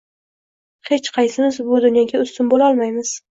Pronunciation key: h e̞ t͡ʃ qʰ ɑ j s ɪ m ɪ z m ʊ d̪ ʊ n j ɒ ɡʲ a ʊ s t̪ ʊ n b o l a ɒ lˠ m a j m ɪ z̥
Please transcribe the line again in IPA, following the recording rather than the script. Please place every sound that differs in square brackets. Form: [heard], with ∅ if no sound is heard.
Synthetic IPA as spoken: h e̞ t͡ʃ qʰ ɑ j s ɪ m ɪ z [b] ʊ d̪ ʊ n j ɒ ɡʲ a ʊ s t̪ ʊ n b o l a ɒ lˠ m a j m ɪ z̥